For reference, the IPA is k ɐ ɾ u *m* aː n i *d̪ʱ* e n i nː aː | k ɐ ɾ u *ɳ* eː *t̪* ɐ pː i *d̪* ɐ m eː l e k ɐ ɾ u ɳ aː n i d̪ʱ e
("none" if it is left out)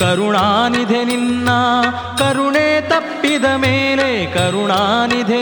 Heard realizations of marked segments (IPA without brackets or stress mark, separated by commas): ɳ, d̪ʱ, ɳ, t̪, d̪